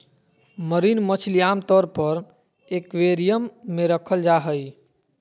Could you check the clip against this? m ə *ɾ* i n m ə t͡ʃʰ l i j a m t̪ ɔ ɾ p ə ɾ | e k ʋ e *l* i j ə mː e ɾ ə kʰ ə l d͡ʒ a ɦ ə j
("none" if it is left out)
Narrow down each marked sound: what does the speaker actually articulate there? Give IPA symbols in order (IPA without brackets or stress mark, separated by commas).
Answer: ɾ, ɾ